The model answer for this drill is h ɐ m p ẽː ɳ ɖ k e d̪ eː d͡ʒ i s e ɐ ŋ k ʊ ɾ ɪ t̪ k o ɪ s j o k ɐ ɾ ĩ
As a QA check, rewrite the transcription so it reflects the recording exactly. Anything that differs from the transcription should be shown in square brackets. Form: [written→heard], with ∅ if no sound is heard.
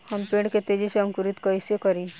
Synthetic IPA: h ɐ m p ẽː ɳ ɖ k e [d̪→t̪] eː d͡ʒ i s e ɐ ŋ k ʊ ɾ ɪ t̪ k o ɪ s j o k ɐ ɾ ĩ